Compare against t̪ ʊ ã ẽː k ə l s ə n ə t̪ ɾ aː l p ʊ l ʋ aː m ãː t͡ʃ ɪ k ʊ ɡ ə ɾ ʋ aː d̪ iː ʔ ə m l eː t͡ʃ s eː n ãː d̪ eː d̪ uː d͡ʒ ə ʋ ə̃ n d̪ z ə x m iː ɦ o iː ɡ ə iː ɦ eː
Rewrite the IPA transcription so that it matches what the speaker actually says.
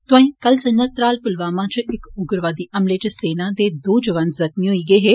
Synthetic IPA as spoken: t̪ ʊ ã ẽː k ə l s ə n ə t̪ ɾ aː l p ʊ l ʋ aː m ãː t͡ʃ ɪ k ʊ ɡ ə ɾ ʋ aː d̪ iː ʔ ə m l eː t͡ʃ s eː n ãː d̪ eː d̪ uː d͡ʒ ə ʋ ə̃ n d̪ z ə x m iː ɦ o iː ɡ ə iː ɦ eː